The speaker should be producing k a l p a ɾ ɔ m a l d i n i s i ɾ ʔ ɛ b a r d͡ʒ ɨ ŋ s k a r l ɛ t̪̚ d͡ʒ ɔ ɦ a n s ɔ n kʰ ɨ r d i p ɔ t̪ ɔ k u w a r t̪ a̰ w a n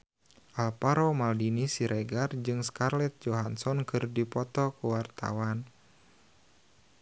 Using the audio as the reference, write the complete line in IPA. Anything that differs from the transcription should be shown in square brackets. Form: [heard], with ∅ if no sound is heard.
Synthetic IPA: [ʔ] a l p a ɾ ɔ m a l d i n i s i ɾ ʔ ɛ [ɡ] a r d͡ʒ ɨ ŋ s k a r l ɛ t̪̚ d͡ʒ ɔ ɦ a n s ɔ n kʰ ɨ r d i p ɔ t̪ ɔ k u w a r t̪ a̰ w a n